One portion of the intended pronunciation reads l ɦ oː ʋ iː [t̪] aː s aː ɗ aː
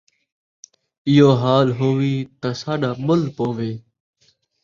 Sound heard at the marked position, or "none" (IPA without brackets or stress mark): t̪